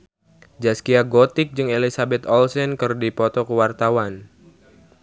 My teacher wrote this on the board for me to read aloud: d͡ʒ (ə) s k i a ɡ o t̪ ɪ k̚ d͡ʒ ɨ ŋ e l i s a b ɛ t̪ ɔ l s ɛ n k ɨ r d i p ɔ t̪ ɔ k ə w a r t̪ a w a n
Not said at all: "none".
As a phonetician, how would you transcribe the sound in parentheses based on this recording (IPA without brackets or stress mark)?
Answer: a